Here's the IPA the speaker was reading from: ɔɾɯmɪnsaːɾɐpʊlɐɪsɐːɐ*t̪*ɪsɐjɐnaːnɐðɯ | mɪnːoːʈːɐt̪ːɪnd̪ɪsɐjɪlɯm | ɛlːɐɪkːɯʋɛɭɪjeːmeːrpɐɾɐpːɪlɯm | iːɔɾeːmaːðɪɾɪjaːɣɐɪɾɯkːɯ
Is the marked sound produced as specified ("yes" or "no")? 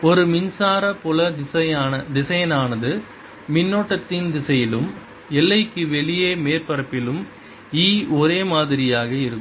no